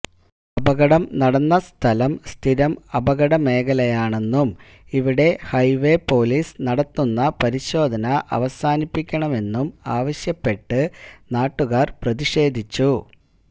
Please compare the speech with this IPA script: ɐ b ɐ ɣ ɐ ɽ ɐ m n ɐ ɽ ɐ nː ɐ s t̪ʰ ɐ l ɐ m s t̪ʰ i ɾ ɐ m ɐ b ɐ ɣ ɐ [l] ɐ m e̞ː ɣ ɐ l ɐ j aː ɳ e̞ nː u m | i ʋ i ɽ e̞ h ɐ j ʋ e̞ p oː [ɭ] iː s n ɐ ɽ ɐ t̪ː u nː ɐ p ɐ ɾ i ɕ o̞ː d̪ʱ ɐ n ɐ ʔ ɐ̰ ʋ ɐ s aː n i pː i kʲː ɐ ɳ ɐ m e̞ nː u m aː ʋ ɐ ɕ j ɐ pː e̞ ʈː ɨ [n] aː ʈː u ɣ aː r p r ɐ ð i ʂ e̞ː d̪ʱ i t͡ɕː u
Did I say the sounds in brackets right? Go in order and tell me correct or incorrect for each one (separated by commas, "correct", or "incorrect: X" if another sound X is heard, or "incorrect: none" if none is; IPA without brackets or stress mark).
incorrect: ɽ, incorrect: l, correct